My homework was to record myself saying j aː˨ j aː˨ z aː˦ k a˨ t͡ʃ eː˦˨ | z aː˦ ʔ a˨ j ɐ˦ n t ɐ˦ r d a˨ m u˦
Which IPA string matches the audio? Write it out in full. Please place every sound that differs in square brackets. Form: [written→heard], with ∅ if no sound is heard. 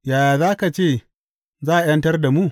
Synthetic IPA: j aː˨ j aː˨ z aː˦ k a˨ t͡ʃ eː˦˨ | z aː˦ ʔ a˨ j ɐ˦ n t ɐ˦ r d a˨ m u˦